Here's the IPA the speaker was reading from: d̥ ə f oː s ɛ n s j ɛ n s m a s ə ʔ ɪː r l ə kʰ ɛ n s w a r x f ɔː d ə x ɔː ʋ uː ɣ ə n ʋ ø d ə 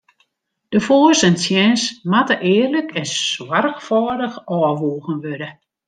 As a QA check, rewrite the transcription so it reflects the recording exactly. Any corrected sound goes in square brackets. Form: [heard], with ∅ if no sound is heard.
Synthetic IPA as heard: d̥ ə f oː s ɛ n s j ɛ n s m a [t] ə ʔ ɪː r l ə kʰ ɛ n s w a r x f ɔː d ə x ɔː ʋ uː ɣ ə n ʋ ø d ə